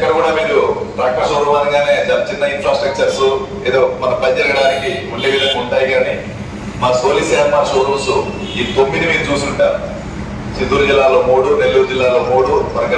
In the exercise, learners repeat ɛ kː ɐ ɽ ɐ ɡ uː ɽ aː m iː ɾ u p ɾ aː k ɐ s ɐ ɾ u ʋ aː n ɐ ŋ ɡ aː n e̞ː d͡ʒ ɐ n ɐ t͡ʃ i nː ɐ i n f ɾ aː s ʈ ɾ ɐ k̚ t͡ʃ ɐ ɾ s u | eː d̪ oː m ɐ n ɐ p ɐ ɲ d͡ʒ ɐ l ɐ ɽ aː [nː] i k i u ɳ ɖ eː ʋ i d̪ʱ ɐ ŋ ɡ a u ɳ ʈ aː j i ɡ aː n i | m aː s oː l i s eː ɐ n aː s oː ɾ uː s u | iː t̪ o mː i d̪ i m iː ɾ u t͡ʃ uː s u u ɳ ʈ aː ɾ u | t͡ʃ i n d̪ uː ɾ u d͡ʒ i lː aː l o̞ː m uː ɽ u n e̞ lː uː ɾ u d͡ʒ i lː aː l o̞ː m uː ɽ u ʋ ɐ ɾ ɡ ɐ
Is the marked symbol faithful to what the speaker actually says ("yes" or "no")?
no